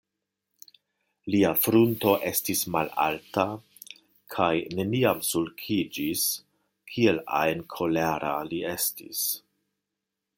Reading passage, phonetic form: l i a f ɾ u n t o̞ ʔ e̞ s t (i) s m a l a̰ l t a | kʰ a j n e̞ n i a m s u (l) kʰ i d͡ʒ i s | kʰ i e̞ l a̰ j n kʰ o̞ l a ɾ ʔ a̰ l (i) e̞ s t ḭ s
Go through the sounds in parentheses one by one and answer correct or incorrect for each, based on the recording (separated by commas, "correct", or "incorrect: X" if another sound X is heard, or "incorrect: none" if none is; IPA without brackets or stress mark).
correct, correct, correct